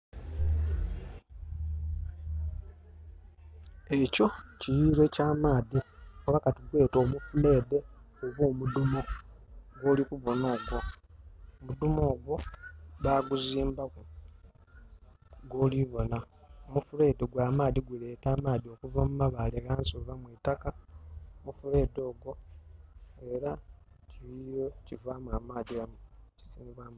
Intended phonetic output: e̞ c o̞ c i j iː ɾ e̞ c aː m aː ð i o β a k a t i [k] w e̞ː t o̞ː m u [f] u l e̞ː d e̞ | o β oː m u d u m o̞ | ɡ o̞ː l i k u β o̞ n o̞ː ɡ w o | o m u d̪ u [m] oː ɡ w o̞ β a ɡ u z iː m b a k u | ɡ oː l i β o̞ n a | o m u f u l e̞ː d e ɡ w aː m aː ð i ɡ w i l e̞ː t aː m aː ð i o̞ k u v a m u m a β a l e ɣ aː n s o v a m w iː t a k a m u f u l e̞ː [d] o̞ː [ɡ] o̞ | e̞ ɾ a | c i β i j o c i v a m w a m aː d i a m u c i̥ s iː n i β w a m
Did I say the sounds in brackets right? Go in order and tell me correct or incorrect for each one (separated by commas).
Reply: incorrect, correct, correct, correct, correct